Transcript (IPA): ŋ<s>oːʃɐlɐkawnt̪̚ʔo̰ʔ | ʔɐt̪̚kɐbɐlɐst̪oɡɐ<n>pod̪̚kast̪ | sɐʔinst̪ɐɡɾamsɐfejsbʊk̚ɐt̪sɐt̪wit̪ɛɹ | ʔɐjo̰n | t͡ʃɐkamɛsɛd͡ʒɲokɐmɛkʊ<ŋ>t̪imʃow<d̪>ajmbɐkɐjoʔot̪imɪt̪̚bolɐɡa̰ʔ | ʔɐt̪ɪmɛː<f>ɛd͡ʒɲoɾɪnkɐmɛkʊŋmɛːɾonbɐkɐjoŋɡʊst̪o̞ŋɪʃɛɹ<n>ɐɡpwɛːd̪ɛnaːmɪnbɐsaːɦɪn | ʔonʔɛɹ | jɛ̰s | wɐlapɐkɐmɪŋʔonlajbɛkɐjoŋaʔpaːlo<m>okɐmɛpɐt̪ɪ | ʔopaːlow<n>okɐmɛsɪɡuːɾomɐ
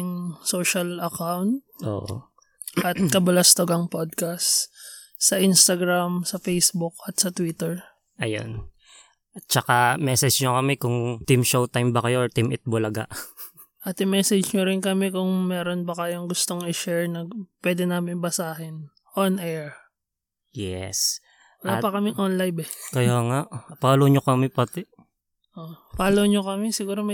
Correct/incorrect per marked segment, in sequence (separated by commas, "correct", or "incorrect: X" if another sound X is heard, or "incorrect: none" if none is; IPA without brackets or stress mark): correct, incorrect: ŋ, correct, incorrect: t̪, incorrect: s, correct, incorrect: ɲ, incorrect: ɲ